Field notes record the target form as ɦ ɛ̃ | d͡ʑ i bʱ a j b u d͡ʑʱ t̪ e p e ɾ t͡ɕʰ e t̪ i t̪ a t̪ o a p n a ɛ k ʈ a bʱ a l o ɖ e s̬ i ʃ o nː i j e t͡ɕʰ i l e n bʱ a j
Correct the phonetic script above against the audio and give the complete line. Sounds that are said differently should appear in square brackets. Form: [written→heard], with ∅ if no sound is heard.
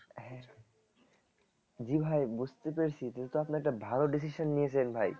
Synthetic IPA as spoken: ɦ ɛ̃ | d͡ʑ i bʱ a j b u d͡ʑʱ t̪ e p e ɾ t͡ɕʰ [e→i] t̪ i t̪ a t̪ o a p n a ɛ k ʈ a bʱ a l o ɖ [e→i] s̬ i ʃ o nː i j e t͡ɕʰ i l e n bʱ a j